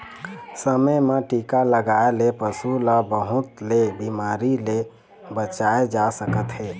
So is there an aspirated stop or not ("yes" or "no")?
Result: no